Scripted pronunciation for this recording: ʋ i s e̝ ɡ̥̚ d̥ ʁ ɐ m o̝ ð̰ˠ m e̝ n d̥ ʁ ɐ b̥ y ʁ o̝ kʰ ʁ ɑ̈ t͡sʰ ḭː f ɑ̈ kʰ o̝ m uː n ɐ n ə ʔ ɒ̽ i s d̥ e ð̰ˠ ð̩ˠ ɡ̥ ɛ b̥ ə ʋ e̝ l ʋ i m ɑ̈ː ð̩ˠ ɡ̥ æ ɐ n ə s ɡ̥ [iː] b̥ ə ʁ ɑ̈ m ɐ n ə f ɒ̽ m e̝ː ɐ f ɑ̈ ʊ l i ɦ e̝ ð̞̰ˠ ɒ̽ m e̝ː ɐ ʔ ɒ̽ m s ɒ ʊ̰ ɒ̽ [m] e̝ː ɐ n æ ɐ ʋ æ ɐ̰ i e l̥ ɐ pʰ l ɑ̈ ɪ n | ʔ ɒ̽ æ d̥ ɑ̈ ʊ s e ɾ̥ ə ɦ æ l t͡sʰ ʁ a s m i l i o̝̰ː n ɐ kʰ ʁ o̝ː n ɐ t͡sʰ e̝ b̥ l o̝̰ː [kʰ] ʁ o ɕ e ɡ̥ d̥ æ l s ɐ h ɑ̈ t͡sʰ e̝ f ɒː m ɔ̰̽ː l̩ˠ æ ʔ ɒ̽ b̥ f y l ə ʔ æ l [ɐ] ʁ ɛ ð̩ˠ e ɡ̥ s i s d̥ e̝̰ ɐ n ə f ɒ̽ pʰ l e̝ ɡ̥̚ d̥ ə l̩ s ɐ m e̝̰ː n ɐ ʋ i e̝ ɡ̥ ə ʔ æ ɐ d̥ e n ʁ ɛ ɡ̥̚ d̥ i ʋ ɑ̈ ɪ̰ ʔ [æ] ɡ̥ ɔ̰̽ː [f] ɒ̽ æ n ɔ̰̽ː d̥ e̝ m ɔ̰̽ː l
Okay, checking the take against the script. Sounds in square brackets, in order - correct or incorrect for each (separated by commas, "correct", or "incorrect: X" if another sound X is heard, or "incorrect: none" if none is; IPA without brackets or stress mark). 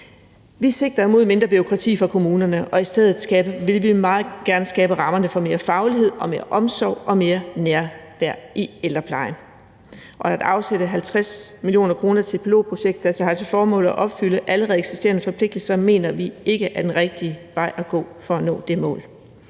incorrect: ɛː, correct, incorrect: pʰ, incorrect: ə, correct, correct